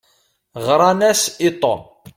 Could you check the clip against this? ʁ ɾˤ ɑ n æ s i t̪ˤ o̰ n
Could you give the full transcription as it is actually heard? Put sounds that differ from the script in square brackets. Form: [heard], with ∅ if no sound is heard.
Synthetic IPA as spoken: ʁ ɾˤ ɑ n æ s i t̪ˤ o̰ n

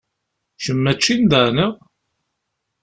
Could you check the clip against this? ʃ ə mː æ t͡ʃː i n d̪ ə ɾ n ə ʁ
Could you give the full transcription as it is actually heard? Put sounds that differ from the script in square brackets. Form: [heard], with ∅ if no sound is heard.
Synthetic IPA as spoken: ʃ ə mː æ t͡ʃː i n d̪ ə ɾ n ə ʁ

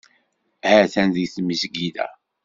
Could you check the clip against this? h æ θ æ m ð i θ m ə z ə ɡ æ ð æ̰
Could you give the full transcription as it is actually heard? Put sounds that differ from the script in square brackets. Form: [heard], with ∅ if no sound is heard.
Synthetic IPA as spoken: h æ θ æ [n] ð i θ m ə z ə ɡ [i] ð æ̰

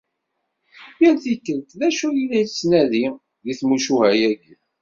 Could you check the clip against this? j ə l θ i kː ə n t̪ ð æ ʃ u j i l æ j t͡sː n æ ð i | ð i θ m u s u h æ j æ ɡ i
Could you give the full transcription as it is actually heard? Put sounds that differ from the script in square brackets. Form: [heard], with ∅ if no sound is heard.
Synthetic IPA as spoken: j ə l θ i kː ə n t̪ ð æ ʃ u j i l æ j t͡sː n æ ð i | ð i θ m u [ʃ] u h æ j æ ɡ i

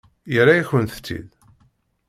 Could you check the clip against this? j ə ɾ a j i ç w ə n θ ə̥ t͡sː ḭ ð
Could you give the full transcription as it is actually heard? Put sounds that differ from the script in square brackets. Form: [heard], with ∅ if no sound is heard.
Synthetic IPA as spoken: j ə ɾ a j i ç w ə n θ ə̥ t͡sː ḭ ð

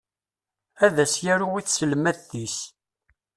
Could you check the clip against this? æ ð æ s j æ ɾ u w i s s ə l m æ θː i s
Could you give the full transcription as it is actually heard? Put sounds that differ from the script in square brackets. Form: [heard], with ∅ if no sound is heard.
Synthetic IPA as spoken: æ ð æ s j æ ɾ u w i [θ] s ə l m æ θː i s

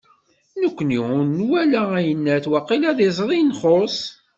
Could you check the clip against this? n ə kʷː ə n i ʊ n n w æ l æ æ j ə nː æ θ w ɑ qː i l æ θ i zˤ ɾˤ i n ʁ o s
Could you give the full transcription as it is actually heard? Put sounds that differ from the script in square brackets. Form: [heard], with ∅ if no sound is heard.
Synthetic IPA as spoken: n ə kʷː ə n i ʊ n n w æ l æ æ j ə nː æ θ w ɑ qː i l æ [ð] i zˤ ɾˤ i n [χ] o s

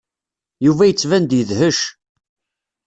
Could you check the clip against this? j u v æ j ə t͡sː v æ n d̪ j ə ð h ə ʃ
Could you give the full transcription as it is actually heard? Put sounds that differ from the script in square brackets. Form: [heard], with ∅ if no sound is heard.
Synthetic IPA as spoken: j u v æ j ə t͡sː v æ n d̪ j ə ð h ə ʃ

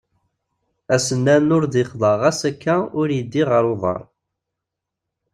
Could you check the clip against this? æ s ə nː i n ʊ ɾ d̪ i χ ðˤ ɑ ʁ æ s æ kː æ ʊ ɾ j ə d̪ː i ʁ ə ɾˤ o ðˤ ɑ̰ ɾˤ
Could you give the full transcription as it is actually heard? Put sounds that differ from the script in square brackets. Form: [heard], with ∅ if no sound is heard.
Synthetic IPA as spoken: æ s ə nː [æ] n ʊ ɾ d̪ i χ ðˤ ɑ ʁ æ s æ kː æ ʊ ɾ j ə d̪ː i ʁ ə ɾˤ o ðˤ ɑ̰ ɾˤ

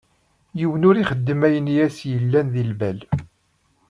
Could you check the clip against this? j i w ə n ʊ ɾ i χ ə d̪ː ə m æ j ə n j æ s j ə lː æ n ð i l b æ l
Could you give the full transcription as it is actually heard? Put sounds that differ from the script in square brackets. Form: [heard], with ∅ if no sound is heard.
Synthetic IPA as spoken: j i w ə n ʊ ɾ i χ ə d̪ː ə m æ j ə n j æ s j ə lː æ n ð i l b æ l

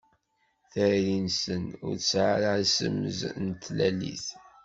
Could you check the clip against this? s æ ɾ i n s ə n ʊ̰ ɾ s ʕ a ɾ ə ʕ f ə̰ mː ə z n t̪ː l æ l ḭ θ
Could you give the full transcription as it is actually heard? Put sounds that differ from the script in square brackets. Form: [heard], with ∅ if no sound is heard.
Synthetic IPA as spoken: [θ] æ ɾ i n s ə n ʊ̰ ɾ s ʕ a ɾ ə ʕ [s] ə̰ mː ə z n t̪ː l æ l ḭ θ

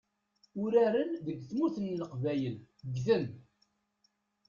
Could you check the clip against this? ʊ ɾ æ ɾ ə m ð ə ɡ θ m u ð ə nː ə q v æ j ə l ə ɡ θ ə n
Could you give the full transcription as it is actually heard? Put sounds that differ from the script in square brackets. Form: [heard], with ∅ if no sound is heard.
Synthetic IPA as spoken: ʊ ɾ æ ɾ ə [n] ð ə ɡ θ m u [θ] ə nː ə q v æ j ə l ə ɡ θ ə n

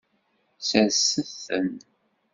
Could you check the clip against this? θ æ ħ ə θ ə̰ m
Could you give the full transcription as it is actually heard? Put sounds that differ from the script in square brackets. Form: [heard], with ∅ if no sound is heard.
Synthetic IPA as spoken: [s] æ [s] ə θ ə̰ [n]

